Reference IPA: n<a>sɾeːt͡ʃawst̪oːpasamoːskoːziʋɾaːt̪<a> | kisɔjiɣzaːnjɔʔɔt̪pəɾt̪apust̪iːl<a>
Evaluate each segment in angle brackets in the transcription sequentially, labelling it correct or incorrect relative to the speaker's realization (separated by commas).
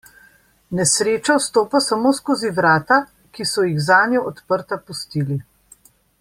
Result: incorrect, correct, incorrect